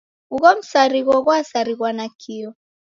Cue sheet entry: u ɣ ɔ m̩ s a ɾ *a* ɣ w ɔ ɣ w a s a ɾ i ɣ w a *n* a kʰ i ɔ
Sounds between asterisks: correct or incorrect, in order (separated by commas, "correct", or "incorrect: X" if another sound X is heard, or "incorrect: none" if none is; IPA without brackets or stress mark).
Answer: incorrect: i, correct